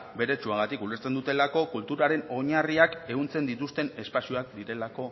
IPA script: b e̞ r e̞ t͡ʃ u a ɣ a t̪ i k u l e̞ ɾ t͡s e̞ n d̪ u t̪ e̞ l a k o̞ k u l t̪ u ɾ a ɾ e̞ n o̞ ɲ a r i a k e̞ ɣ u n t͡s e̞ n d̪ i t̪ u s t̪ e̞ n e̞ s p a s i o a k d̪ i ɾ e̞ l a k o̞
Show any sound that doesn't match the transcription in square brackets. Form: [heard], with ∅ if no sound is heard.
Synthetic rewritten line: b e̞ [ɾ] e̞ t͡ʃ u a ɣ a t̪ i k u l e̞ ɾ t͡s e̞ n d̪ u t̪ e̞ l a k o̞ k u l t̪ u ɾ a ɾ e̞ n o̞ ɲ a r i a k e̞ ɣ u n t͡s e̞ n d̪ i t̪ u s t̪ e̞ n e̞ s p a s i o a k d̪ i ɾ e̞ l a k o̞